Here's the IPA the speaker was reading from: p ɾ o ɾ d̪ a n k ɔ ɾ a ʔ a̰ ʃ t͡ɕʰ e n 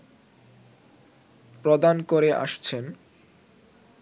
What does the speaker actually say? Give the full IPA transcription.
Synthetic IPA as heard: p ɾ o d̪ a n k o ɾ e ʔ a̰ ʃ t͡ɕʰ e n